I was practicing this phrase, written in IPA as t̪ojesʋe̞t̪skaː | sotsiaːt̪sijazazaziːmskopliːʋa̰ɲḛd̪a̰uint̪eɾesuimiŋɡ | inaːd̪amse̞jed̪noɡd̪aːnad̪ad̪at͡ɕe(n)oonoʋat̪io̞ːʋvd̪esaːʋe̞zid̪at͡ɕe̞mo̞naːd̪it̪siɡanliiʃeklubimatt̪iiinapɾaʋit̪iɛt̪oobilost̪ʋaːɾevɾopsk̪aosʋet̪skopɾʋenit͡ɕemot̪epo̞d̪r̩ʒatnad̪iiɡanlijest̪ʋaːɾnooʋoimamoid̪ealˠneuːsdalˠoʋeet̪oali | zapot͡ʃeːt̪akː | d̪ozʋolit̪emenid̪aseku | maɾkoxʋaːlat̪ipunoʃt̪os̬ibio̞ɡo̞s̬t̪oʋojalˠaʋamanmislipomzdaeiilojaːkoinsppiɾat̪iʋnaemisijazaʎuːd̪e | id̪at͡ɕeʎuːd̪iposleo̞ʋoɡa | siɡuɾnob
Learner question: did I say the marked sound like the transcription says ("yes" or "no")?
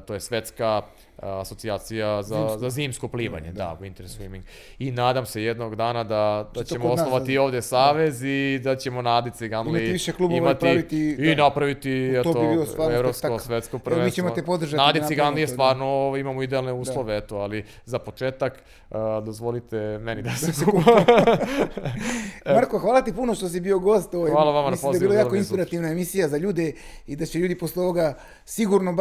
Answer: no